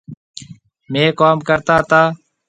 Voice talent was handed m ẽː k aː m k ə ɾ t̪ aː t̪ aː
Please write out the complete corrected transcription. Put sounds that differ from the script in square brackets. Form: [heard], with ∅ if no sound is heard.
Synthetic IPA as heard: m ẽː k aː m k ə ɾ t̪ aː t̪ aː